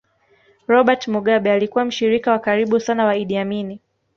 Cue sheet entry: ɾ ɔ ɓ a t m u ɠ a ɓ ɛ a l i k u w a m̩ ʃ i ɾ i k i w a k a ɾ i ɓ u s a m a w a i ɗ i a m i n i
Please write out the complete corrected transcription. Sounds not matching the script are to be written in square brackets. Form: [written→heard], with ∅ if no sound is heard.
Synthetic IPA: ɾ ɔ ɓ a t m u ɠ a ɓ ɛ a l i k u w a m̩ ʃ i ɾ i k [i→a] w a k a ɾ i ɓ u s a [m→n] a w a i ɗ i a m i n i